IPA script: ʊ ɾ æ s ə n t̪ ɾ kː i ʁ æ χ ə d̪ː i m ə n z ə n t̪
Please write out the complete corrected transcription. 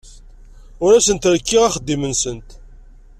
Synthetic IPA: ʊ ɾ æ s ə n t̪ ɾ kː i ʁ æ χ ə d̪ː i m ə n s ə n t̪